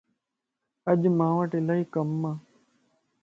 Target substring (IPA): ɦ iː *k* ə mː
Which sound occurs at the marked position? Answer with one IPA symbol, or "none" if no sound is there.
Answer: k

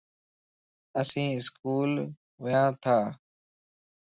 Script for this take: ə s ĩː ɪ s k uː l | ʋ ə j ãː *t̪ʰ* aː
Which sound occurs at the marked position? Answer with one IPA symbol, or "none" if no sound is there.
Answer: t̪ʰ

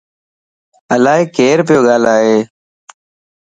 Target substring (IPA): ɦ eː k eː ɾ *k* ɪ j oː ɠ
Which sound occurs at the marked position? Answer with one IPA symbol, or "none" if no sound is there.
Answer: p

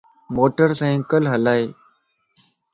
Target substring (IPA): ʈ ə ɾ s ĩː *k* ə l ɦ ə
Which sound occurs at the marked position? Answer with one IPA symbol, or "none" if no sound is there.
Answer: k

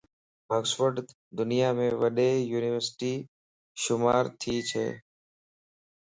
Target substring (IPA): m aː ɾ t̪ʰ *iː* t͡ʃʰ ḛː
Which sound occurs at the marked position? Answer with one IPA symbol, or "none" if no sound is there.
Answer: iː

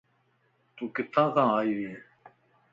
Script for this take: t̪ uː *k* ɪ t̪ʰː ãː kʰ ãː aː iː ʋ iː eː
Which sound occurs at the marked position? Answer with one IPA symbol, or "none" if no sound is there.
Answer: k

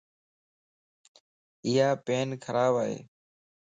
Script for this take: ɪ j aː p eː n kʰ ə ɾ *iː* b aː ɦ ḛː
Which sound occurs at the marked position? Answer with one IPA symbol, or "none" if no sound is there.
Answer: aː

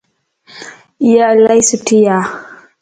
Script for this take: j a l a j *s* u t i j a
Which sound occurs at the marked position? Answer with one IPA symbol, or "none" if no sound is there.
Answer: s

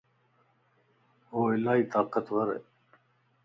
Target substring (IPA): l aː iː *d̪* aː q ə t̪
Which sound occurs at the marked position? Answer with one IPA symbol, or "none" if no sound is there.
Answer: t̪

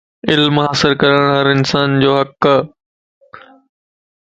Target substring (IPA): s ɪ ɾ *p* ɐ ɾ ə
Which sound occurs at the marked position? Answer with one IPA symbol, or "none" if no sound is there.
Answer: k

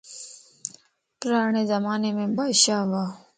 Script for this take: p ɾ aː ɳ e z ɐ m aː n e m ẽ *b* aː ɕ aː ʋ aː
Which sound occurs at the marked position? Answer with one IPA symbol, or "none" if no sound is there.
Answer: b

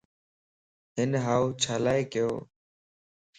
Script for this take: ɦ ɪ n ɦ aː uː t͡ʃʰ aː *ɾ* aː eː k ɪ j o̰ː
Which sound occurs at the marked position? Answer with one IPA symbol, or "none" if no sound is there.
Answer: l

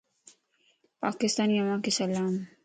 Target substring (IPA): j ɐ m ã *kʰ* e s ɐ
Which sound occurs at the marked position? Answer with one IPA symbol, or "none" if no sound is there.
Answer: k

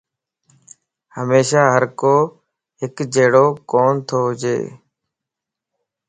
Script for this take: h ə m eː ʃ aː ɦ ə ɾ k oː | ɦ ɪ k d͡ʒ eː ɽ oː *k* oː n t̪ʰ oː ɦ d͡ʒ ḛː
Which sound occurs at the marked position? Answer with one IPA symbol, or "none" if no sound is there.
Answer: k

